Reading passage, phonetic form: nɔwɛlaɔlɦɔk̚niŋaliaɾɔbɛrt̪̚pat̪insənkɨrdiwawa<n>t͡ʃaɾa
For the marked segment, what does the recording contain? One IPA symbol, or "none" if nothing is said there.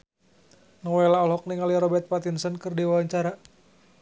ɲ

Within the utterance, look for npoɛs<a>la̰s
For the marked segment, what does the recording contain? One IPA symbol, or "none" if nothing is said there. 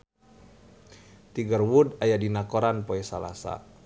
a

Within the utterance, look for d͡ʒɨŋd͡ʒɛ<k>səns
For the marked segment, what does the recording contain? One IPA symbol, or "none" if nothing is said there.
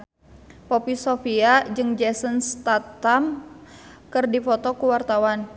none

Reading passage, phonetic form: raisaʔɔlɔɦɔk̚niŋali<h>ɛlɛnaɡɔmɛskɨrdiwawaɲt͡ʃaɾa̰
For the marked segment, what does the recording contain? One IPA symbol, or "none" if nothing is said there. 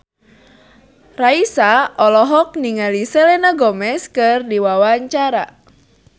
s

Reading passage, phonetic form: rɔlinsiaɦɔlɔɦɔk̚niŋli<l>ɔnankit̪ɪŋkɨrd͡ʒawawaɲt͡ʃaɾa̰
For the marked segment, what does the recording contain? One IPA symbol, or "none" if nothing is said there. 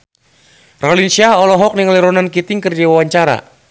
ɾ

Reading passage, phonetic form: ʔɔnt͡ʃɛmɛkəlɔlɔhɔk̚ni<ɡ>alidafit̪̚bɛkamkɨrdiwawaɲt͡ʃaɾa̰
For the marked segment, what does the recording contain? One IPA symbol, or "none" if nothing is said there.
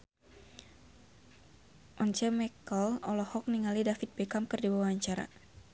ŋ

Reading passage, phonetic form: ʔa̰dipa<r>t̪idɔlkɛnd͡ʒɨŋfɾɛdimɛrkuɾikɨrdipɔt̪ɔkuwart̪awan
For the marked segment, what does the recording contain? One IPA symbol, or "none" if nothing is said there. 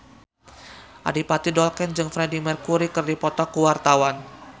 none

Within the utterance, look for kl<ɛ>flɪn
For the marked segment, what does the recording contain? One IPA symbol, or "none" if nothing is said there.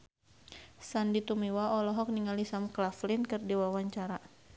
a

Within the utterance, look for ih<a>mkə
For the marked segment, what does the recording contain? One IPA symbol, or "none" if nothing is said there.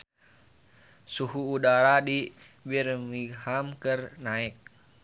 a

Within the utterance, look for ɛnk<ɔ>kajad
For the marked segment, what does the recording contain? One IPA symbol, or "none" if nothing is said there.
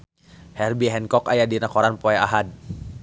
ɔ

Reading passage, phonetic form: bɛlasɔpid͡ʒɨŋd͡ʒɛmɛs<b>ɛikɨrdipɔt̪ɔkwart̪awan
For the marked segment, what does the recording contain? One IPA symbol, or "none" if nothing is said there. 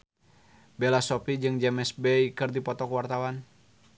b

